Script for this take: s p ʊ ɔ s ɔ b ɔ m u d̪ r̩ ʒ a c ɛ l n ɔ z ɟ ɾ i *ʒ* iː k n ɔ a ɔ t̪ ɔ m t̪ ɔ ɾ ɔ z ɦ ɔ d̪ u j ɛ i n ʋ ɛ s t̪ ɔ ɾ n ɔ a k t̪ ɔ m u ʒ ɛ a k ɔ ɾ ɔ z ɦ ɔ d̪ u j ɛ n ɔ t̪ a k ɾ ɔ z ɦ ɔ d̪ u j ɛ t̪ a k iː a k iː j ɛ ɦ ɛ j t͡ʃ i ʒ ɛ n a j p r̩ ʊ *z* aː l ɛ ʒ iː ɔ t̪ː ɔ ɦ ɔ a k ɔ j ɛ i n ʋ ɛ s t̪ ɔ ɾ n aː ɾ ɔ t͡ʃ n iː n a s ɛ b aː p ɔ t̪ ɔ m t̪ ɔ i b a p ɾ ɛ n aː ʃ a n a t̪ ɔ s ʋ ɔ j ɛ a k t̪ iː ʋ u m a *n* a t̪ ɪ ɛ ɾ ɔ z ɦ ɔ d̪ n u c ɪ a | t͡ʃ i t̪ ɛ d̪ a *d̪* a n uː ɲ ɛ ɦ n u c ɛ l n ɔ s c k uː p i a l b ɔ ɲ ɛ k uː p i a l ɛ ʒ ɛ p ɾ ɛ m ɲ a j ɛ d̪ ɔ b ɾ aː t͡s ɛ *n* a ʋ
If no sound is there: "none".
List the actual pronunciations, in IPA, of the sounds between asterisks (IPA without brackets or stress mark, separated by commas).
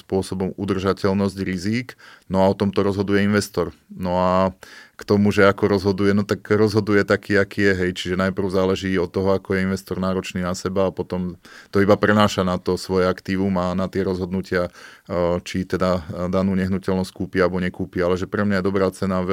z, z, n, d̪, n